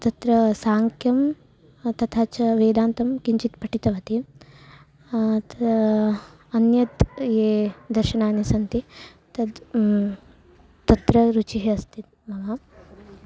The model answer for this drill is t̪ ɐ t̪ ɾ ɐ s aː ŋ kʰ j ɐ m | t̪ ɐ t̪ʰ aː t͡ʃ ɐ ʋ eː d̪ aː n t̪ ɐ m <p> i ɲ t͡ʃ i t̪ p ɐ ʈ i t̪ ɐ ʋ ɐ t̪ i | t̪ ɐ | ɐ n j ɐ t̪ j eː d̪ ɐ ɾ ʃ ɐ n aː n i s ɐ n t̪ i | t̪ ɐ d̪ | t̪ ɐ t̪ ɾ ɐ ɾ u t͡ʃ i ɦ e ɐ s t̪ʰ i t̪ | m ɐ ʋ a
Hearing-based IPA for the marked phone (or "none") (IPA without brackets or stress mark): k